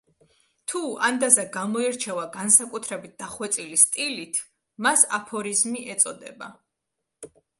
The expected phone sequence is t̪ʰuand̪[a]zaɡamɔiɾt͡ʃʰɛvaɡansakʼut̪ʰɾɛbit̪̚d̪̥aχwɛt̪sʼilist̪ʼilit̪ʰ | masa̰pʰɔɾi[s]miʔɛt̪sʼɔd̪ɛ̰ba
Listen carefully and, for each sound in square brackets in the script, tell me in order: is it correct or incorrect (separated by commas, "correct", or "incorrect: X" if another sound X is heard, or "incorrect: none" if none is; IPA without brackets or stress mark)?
correct, incorrect: z